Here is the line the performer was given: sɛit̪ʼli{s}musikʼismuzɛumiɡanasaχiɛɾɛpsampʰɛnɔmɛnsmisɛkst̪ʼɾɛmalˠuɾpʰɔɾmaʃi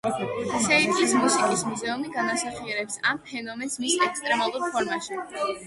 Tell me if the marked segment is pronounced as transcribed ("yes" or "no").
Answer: yes